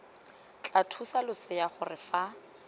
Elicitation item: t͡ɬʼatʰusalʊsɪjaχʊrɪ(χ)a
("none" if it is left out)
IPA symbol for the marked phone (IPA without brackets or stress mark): f